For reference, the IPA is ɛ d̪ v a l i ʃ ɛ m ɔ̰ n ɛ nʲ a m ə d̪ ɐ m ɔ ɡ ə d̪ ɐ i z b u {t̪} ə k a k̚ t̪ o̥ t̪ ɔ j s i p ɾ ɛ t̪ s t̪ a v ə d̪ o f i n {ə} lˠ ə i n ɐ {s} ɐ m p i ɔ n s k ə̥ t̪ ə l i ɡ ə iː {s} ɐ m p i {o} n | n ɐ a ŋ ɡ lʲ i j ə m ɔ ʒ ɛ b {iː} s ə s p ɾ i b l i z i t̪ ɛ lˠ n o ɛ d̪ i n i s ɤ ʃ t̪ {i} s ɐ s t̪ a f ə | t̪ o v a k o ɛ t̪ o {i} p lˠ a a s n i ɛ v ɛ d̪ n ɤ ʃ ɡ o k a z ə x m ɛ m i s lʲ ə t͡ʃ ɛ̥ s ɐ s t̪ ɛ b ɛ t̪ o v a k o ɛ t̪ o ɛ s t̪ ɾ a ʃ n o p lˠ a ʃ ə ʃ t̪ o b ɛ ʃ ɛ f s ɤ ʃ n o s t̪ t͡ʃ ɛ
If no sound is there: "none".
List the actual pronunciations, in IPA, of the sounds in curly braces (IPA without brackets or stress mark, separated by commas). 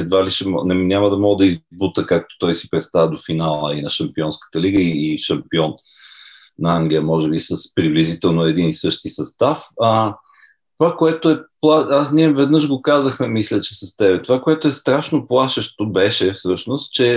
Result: t̪, a, ʃ, ʃ, ɔ, i, i, ɛ